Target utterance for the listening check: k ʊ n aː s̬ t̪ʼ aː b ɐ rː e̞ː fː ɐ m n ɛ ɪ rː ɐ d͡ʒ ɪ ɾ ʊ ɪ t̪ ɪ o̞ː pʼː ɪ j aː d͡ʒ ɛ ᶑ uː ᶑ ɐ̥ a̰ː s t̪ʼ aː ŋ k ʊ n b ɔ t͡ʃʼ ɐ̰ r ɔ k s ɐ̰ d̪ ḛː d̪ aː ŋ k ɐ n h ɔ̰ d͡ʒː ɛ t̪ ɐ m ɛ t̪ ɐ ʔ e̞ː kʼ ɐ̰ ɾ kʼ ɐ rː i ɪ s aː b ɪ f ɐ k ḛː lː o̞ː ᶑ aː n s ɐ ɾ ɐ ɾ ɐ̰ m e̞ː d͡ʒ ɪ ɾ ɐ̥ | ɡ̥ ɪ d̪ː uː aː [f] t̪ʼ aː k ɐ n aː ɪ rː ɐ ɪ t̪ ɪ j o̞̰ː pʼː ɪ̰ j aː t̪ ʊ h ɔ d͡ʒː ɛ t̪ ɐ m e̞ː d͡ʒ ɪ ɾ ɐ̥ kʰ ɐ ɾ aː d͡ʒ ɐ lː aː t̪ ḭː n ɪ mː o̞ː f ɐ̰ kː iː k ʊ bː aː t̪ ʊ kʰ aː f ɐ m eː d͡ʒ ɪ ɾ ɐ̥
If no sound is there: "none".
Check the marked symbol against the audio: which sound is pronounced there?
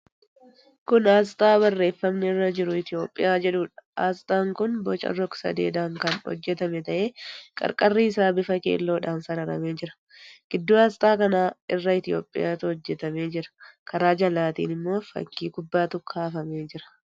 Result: s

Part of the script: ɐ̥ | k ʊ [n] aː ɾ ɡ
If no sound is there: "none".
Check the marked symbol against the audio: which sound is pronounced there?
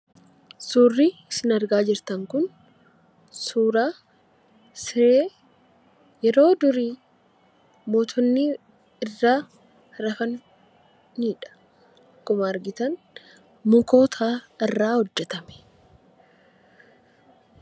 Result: m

